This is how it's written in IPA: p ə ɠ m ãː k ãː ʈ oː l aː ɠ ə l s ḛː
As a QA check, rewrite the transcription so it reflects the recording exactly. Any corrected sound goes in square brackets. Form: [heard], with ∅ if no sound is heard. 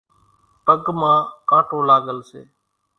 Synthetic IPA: p ə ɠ m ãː k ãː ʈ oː l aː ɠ ə l s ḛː